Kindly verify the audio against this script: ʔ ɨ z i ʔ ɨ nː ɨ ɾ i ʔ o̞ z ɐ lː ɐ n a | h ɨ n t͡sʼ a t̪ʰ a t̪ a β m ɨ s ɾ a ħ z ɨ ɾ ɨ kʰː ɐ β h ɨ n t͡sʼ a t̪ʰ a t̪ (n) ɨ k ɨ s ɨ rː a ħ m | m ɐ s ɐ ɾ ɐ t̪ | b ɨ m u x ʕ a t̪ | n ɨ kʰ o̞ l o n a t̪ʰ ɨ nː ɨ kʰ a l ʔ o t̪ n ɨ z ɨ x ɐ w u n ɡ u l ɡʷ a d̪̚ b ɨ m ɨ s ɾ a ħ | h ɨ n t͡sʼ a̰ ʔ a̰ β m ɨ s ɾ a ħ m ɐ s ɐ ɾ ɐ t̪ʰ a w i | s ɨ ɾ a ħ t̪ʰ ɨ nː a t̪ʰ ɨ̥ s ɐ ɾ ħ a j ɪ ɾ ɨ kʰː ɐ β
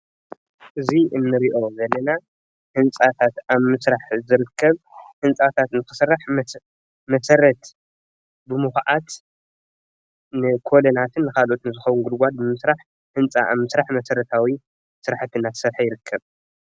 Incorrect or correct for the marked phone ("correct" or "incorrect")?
correct